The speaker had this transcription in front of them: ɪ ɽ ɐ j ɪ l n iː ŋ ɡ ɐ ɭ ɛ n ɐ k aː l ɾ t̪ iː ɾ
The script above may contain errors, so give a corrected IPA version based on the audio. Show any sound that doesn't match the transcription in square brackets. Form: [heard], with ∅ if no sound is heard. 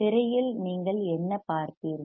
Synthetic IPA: ɪ [ɾ] ɐ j ɪ l n iː ŋ ɡ ɐ ɭ ɛ [nː] ɐ [p] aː [∅] ɾ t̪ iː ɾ

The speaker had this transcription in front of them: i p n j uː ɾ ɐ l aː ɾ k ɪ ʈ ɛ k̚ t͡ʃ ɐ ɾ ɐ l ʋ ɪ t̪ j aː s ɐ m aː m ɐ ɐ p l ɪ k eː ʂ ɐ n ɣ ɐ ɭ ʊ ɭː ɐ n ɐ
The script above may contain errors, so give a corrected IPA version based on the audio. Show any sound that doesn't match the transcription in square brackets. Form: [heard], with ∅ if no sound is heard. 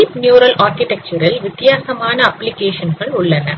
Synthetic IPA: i p n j uː ɾ ɐ l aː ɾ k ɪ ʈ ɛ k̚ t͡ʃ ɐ ɾ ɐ l ʋ ɪ t̪ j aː s ɐ m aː [n] ɐ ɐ p l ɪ k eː ʂ ɐ n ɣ ɐ ɭ ʊ ɭː ɐ n ɐ

